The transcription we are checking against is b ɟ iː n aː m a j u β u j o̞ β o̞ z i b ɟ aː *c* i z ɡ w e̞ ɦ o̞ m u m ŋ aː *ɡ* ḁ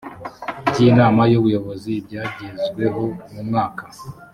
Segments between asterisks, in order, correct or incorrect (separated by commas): incorrect, incorrect